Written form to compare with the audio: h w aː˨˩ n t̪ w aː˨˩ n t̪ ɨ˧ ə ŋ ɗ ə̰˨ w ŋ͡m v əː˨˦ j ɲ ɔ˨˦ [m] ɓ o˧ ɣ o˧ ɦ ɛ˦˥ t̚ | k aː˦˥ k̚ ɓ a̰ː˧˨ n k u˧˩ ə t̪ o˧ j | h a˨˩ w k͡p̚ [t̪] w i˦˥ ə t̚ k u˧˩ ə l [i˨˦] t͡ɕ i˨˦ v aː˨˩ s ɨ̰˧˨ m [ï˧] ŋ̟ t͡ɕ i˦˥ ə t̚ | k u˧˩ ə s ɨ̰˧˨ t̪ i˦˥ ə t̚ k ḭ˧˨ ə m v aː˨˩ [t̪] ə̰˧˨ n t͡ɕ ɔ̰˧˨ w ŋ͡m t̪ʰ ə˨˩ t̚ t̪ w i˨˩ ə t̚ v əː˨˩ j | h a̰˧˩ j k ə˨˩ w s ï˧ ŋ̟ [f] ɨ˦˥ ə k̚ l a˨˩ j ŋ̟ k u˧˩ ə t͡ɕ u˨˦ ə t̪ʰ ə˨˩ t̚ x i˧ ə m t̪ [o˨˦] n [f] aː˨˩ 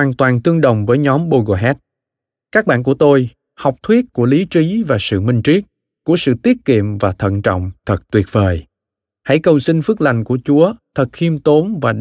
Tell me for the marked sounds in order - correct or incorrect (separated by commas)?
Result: correct, incorrect, correct, correct, incorrect, correct, correct, incorrect